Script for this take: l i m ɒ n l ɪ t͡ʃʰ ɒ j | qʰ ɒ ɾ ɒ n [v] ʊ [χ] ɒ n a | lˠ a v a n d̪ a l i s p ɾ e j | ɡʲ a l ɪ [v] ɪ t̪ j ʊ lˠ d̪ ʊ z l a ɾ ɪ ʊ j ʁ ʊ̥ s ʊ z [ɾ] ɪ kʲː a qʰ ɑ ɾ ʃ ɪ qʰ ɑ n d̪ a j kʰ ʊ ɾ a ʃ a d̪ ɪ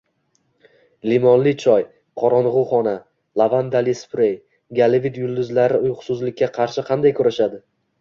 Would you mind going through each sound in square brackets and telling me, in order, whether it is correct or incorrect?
incorrect: ʁ, correct, correct, incorrect: l

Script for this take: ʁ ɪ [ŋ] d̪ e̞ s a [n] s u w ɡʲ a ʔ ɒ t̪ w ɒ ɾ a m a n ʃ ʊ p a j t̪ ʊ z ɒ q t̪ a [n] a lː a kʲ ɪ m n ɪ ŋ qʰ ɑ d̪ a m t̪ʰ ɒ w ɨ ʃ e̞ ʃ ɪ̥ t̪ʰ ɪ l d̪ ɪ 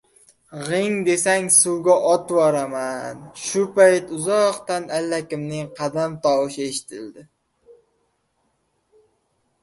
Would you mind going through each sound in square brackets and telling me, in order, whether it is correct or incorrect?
correct, incorrect: ŋ, correct

